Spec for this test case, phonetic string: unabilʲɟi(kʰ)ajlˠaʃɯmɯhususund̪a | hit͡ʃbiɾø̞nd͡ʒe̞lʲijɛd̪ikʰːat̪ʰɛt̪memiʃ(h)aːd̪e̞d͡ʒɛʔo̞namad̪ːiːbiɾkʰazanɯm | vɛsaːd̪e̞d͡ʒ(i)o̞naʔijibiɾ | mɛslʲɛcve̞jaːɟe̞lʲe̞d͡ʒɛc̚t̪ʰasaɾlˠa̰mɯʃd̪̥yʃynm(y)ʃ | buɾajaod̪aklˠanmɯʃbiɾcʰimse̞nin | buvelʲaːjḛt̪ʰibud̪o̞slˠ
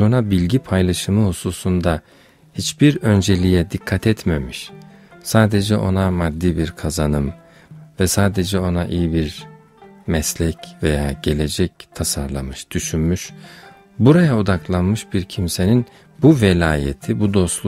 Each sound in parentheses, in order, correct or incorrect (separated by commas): incorrect, incorrect, incorrect, correct